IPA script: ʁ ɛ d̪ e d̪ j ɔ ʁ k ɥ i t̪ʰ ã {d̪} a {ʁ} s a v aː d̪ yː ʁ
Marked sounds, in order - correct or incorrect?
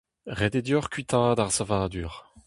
correct, correct

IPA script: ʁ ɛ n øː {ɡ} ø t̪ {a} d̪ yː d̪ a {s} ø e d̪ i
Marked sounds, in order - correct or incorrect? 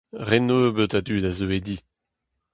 incorrect, correct, incorrect

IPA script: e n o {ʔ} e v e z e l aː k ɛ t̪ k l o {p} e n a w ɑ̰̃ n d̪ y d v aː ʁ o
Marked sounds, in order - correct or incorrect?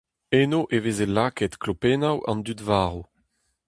correct, correct

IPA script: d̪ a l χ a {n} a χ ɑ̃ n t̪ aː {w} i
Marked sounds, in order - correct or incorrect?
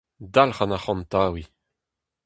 correct, correct

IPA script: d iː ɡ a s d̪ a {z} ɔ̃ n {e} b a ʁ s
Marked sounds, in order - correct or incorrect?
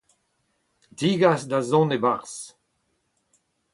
correct, correct

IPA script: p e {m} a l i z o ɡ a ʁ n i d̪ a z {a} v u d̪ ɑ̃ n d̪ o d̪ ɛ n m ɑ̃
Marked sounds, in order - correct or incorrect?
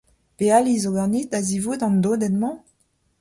incorrect, incorrect

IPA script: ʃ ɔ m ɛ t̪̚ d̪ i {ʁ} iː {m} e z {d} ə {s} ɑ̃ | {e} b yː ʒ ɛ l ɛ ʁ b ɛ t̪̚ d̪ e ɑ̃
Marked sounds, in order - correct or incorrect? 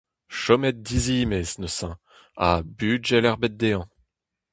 incorrect, correct, incorrect, correct, incorrect

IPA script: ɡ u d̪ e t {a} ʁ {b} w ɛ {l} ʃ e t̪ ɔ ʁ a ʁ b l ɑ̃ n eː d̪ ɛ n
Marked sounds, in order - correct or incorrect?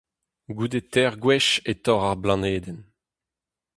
incorrect, incorrect, incorrect

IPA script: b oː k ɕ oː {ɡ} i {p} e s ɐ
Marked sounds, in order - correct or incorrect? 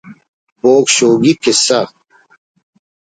correct, incorrect

